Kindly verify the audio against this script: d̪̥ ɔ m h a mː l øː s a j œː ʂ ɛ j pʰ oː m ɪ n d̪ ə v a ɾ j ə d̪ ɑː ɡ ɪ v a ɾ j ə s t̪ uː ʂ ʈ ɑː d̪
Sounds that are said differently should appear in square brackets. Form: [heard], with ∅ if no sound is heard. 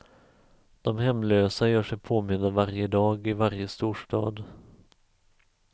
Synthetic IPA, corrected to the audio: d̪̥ ɔ m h [ɛ] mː l øː s a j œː ʂ ɛ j pʰ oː m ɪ n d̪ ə v a ɾ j ə d̪ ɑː ɡ ɪ v a ɾ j ə s t̪ uː ʂ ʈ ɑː d̪